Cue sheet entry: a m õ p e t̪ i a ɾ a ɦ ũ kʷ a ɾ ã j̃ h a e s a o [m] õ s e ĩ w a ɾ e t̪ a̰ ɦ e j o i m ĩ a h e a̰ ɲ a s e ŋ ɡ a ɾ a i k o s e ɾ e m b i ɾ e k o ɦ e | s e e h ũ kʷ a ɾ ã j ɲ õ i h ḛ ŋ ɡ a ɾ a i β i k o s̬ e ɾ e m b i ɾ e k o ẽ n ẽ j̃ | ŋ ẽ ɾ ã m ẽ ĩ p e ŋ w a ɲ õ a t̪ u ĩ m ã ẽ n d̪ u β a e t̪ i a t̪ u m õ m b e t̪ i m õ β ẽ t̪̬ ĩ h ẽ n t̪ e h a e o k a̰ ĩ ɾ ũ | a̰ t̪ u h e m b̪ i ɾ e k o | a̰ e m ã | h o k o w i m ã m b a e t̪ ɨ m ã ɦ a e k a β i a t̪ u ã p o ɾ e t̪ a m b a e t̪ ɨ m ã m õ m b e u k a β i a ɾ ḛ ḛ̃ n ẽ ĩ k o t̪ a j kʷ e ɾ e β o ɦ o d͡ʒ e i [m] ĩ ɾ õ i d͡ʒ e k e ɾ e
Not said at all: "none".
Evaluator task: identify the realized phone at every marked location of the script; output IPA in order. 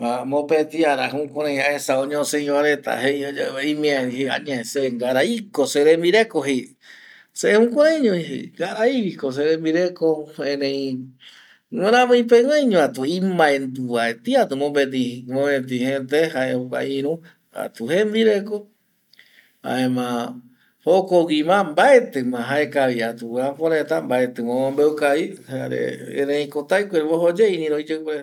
ɲ, n

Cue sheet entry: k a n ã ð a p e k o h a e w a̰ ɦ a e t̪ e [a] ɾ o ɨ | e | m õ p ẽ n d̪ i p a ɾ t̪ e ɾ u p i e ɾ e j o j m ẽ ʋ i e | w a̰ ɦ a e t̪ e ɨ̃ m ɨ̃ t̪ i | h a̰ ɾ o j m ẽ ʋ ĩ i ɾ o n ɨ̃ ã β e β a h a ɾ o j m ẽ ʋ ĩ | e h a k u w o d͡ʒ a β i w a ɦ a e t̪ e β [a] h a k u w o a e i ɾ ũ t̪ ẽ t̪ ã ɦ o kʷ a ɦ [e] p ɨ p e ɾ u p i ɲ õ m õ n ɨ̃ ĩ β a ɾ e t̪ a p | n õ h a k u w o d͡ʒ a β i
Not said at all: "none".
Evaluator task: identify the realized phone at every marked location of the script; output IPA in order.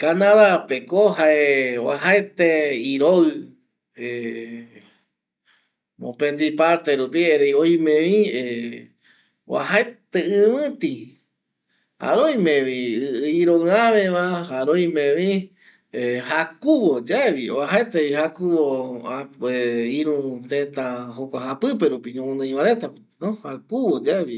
i, i, a

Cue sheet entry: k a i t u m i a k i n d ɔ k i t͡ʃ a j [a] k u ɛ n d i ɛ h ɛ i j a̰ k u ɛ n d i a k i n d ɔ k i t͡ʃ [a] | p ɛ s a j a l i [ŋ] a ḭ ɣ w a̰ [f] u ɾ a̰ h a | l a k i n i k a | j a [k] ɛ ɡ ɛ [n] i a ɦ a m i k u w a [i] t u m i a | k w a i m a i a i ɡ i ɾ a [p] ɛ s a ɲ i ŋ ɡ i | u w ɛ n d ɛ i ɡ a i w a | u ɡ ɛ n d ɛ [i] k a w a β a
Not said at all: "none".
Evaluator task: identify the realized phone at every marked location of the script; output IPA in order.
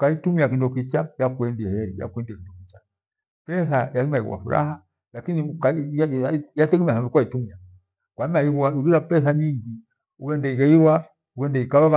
a, a, m, f, t, m, i, p, i

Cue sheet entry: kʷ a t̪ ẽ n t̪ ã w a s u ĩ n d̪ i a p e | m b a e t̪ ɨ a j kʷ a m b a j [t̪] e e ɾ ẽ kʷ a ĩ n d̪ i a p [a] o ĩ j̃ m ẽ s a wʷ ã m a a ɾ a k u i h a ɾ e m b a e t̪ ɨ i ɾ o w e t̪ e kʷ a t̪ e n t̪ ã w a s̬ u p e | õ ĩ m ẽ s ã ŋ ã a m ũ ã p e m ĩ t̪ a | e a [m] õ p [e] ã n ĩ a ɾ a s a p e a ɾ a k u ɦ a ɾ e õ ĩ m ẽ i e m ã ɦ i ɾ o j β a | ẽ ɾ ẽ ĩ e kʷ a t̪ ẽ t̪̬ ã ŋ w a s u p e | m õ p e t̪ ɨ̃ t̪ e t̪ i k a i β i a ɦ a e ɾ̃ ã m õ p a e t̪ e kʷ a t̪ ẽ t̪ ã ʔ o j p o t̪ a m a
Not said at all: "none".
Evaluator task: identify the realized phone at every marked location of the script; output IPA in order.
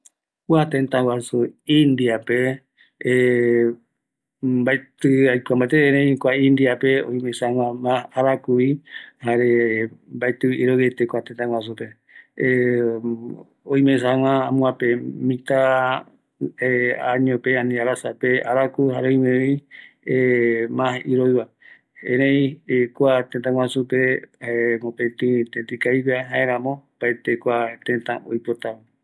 t̪, e, ɲ, e

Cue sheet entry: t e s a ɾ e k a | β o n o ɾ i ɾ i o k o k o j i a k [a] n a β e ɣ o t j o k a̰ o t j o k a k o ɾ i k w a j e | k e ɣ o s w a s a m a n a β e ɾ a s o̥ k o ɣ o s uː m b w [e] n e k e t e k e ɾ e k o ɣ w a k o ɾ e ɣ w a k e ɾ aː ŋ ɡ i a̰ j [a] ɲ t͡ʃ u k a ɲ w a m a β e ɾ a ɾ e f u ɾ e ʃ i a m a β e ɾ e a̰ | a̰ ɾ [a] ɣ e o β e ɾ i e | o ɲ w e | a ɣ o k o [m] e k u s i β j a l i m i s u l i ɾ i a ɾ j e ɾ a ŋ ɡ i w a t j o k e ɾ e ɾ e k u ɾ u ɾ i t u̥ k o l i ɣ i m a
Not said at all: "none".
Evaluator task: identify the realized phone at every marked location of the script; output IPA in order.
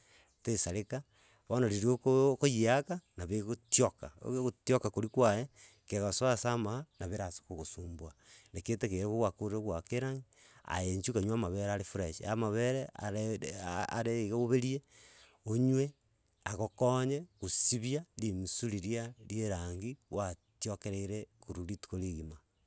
a, a, e, e, ɲ

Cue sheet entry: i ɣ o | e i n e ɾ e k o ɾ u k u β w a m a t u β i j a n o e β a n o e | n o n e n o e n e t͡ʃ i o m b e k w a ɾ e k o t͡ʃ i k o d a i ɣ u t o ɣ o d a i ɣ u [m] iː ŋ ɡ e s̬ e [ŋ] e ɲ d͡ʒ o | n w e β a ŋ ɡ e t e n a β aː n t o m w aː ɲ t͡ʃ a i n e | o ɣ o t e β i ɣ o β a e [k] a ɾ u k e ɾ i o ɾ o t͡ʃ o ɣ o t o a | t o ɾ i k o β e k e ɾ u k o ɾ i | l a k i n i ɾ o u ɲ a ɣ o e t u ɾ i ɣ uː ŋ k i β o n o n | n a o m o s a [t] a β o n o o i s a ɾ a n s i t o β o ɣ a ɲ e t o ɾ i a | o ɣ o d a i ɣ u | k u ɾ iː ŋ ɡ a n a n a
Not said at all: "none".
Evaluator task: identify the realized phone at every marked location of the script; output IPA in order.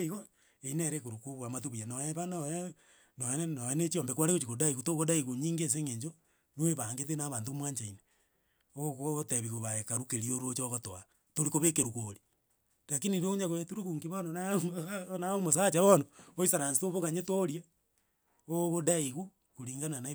ɲ, ŋ, k, t͡ʃ

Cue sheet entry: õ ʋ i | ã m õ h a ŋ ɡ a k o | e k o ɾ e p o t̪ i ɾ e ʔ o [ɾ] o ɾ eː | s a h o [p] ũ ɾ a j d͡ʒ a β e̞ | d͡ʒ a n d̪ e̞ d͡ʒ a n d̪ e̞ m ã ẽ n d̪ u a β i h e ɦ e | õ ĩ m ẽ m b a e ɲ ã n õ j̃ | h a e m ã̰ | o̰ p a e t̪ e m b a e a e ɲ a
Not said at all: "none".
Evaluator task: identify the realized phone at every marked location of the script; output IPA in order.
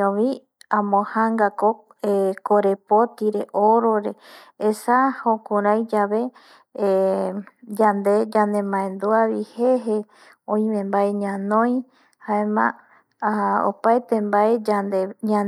ɾ, k

